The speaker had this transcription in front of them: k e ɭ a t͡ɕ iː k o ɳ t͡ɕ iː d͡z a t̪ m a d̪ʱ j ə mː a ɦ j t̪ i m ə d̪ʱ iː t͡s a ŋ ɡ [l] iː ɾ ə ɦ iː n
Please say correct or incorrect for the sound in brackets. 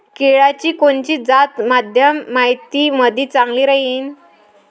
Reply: correct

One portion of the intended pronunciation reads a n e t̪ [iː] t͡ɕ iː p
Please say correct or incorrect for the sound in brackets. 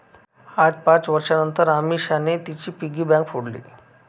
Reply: incorrect: i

